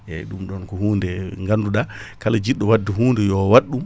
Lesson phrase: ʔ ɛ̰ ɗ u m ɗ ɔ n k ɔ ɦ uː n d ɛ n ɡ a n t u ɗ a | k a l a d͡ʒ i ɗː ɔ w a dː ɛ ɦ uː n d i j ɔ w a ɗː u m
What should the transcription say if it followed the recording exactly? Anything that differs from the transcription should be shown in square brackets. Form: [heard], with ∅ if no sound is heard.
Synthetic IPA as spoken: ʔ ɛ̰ ɗ u m ɗ ɔ n k ɔ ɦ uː n d ɛ [ŋ] ɡ a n [d] u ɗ a | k a l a d͡ʒ i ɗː ɔ w a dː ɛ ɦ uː n d [ɛ] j ɔ w a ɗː u m